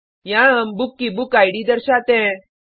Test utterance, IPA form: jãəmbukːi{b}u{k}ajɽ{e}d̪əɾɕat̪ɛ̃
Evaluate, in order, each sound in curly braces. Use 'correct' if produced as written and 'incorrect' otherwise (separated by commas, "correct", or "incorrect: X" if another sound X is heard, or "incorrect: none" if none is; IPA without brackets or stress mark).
correct, correct, incorrect: i